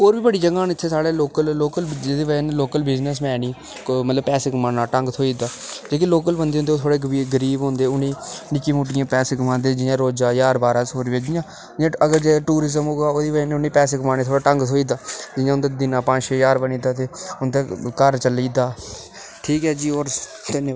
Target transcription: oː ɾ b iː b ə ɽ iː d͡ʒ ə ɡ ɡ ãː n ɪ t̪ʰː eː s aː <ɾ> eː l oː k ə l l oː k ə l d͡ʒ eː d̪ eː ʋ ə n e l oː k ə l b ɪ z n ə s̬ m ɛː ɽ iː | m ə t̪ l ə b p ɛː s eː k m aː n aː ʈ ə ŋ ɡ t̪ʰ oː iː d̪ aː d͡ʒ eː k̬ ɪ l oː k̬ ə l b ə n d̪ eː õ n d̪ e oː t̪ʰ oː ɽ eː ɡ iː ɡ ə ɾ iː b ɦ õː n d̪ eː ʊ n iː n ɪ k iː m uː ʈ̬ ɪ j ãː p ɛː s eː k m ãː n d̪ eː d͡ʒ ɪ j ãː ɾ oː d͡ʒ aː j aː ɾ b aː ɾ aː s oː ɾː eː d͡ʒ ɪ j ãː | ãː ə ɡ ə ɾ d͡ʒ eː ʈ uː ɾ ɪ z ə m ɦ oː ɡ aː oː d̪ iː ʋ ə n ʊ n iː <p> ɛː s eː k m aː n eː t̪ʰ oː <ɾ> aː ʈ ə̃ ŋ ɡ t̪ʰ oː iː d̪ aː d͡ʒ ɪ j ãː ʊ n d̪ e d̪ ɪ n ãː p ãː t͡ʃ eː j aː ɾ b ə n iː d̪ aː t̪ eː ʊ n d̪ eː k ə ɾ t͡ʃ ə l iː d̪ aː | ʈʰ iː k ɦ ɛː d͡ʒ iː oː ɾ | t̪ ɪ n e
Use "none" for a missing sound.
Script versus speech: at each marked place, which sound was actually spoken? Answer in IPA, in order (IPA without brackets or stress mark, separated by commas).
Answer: ɽ, p, ɽ